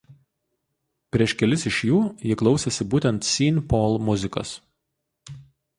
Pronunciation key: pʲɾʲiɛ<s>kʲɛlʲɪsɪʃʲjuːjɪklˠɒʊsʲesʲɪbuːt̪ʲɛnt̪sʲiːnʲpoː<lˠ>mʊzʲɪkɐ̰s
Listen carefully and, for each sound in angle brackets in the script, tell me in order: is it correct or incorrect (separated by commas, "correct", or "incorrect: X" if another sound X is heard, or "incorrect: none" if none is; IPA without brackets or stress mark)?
incorrect: ʃ, correct